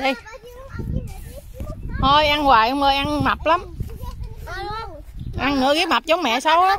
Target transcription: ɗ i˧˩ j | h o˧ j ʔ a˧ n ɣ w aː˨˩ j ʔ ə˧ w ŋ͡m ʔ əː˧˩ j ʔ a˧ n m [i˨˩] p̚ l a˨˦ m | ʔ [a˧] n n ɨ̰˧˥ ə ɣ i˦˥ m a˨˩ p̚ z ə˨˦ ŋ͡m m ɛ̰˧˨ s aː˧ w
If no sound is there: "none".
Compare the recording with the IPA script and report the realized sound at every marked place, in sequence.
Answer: a˨˩, a˧

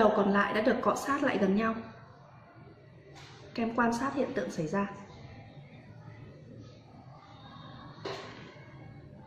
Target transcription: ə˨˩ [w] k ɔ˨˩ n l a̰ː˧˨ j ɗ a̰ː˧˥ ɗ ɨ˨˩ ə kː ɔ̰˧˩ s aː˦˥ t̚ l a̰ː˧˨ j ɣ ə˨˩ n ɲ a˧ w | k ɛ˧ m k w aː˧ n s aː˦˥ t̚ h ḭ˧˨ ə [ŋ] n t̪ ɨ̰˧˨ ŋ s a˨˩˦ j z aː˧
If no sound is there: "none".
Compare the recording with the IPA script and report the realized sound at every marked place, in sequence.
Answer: w, none

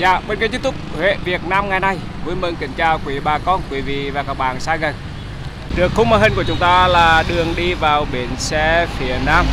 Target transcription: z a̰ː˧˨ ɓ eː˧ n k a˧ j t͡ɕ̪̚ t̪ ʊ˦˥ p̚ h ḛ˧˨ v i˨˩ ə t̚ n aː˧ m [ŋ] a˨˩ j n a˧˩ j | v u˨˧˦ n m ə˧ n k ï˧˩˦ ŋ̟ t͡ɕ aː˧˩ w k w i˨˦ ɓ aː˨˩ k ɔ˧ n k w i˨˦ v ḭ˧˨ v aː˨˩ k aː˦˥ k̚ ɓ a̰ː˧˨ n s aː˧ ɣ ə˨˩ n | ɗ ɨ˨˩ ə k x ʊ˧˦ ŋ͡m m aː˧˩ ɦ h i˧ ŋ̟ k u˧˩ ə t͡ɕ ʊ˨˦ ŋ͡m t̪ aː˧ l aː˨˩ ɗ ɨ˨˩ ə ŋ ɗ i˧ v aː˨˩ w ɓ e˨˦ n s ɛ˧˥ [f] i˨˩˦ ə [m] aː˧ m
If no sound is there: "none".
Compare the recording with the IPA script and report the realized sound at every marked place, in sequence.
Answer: ŋ, f, n

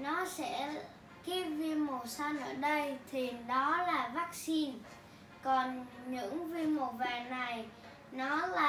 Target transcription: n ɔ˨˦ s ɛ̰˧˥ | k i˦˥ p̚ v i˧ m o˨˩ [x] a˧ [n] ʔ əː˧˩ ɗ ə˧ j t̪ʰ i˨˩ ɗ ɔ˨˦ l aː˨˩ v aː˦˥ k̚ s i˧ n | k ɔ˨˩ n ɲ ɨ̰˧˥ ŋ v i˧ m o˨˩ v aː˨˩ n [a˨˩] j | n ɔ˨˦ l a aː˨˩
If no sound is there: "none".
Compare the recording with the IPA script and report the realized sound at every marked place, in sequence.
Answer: s, n, a˨˩

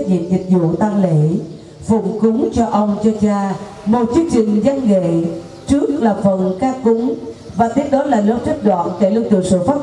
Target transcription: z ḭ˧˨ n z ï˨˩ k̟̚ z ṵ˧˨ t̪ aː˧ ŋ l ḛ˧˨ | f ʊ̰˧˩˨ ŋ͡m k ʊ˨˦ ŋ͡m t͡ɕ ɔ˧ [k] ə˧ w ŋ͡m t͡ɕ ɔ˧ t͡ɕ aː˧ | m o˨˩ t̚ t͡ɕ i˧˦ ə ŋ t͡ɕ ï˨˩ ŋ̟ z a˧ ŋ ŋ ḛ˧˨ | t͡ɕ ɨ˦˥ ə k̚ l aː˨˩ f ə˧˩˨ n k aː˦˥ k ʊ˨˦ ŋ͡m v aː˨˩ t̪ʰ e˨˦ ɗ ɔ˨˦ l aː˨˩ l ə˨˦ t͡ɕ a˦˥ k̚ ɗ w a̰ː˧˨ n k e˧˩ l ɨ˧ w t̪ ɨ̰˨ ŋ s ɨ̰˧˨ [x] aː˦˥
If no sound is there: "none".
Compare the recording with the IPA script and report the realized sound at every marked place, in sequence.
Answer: ʔ, f

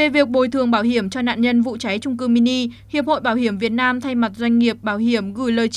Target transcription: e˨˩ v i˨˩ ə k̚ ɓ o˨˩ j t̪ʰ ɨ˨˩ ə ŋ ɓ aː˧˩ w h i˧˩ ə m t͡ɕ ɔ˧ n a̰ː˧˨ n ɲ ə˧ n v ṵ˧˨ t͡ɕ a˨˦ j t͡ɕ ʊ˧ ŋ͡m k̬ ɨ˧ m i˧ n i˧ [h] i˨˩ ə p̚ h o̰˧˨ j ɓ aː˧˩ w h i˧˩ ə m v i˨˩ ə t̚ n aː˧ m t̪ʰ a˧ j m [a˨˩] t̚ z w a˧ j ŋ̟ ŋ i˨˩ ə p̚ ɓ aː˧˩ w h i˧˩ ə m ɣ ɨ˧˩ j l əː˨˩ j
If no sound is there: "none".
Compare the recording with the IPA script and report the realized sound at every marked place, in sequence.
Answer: h, a˨˩

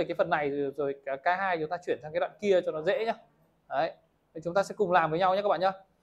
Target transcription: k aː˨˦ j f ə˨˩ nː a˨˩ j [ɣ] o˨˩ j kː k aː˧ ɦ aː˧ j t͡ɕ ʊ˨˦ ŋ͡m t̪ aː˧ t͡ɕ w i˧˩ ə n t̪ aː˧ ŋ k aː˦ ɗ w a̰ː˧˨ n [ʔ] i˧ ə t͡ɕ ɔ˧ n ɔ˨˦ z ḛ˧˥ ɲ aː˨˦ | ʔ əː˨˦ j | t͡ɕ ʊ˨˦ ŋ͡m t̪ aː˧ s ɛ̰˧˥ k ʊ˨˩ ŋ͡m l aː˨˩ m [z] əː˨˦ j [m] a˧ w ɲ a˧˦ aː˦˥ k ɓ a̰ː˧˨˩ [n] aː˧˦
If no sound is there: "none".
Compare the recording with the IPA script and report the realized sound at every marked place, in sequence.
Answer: z, k, v, ɲ, ɲ

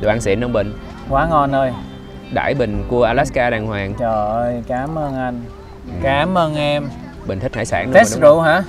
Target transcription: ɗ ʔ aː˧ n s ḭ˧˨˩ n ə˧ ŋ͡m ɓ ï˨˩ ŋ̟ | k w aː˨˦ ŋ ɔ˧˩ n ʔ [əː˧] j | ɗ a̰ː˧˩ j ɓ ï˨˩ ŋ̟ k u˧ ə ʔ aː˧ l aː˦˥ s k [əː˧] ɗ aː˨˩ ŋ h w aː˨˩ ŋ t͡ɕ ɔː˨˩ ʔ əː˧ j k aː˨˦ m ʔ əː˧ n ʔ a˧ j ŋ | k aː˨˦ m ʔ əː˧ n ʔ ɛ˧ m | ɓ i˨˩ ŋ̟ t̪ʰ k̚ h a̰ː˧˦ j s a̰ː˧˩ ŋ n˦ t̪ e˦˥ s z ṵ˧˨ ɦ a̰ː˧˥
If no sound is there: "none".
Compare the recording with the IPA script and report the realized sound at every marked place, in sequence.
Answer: əː˧, aː˧

